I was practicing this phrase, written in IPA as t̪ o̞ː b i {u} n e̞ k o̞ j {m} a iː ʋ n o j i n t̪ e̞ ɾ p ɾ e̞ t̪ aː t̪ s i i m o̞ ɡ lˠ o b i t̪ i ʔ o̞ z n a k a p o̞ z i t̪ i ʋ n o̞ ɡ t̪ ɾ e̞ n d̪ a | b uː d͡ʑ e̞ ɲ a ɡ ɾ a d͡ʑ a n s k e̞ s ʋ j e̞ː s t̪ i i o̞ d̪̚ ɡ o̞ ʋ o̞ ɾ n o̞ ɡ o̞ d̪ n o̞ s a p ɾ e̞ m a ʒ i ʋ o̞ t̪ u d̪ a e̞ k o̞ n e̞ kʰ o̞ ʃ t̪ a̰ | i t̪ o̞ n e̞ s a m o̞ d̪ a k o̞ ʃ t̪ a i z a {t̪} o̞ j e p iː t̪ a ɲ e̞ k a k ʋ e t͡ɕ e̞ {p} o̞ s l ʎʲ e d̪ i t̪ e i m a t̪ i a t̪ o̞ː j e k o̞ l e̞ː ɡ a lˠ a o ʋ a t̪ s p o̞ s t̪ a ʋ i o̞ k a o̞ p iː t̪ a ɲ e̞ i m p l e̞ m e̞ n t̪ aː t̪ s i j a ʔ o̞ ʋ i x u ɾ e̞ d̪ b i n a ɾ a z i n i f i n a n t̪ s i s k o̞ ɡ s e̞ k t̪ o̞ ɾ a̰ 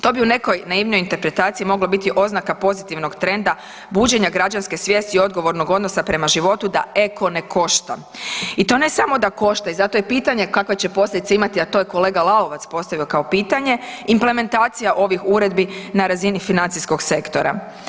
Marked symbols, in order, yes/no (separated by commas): yes, no, yes, yes